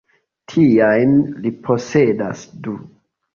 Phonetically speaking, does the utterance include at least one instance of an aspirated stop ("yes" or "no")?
yes